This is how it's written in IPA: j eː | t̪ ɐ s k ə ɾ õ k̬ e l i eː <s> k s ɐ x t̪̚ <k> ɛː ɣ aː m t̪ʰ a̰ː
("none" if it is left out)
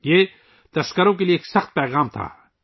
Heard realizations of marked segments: none, p

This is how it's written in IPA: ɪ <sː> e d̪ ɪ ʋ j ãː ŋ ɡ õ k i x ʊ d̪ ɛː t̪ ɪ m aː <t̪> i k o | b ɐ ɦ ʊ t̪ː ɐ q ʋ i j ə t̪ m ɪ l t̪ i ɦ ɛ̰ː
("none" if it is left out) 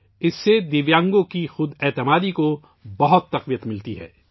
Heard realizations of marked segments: sː, d̪

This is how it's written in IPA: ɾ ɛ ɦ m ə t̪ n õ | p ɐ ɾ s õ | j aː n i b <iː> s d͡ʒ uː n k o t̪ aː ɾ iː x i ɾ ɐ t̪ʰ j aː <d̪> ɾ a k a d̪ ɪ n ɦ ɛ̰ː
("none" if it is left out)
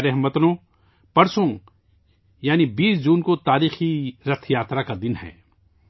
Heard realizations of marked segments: iː, t̪

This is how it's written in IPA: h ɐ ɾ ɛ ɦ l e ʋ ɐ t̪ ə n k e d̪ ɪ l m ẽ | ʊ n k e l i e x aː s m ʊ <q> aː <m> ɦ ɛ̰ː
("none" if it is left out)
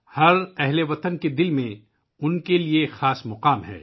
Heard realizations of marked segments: q, m

